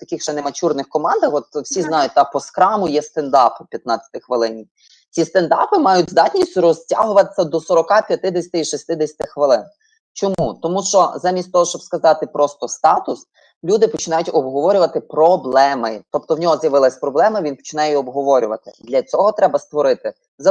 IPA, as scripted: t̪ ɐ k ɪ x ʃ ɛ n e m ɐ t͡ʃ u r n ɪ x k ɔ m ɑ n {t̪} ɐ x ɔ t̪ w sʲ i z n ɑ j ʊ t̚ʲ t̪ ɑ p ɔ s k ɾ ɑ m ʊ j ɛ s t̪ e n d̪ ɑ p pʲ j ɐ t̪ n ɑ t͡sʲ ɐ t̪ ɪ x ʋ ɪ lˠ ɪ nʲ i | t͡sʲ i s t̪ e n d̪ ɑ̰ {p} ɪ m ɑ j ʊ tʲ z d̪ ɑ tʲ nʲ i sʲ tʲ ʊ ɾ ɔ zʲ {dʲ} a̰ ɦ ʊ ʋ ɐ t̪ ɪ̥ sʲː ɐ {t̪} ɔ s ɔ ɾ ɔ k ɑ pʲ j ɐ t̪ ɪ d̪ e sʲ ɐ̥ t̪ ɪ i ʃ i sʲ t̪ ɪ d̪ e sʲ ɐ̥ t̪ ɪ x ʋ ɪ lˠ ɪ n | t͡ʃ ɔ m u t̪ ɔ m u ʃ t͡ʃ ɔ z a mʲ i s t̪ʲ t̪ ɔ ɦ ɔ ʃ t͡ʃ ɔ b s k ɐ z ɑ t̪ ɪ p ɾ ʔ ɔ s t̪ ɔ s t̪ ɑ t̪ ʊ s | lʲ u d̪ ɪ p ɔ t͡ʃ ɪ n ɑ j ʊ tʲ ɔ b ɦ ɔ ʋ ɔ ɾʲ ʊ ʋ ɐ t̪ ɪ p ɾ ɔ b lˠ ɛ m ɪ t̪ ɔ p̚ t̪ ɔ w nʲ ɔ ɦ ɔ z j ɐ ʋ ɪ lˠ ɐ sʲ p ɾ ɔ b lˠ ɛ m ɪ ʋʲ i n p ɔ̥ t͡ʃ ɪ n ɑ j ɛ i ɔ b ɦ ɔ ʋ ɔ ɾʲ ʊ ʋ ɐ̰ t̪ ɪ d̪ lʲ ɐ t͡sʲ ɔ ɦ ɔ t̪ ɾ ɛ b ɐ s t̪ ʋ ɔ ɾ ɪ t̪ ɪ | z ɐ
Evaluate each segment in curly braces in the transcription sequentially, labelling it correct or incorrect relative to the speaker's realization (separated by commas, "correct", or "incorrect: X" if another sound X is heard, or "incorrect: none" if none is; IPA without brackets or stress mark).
incorrect: d̪, correct, incorrect: tʲ, incorrect: d̪